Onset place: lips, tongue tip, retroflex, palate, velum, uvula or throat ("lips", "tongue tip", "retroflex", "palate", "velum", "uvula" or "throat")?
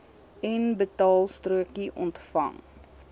tongue tip